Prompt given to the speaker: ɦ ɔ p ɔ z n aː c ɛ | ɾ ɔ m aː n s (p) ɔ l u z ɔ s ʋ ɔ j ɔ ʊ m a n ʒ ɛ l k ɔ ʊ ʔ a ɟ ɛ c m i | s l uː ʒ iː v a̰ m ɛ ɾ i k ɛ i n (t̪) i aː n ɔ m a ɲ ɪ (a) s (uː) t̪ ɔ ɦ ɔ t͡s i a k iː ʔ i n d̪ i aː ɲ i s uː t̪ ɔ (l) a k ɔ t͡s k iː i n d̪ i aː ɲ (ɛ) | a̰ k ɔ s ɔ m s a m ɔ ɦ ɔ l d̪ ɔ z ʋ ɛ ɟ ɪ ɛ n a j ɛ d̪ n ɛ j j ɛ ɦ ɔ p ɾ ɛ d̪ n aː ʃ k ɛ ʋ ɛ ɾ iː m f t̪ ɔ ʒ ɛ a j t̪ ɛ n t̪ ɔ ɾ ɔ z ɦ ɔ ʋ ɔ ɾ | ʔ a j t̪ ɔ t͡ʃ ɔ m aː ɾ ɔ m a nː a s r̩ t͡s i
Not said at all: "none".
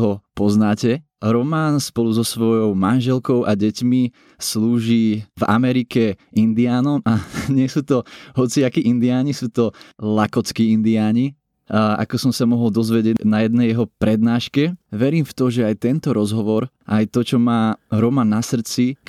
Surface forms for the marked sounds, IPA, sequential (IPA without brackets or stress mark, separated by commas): p, d̪, ɛ, uː, l, i